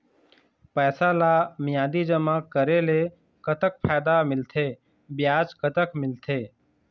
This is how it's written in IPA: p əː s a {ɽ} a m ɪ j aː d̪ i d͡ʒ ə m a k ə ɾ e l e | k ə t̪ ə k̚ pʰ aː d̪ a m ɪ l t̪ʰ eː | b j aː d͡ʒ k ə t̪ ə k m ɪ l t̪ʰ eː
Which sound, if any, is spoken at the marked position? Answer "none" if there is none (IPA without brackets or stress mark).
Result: l